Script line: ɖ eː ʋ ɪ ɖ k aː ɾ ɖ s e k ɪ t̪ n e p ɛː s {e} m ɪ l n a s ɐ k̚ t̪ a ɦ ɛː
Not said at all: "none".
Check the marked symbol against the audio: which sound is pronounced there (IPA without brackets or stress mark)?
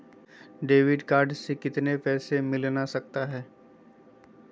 e